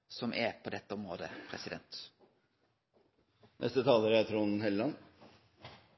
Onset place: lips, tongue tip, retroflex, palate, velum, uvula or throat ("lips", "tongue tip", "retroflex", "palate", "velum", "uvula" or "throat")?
tongue tip